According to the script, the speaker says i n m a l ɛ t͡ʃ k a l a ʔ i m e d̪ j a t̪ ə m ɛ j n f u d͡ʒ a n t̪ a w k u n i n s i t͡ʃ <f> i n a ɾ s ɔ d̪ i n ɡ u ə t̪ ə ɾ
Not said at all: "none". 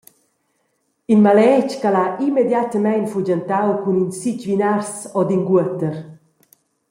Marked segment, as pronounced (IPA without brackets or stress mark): v